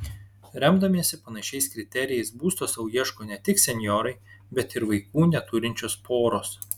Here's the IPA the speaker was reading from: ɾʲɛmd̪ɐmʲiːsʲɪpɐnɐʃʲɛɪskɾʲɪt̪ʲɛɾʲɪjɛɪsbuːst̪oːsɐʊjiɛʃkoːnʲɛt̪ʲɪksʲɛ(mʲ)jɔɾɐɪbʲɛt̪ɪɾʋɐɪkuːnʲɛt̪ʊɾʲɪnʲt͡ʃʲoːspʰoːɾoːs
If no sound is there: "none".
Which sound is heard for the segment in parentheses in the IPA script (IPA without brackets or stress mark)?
nʲ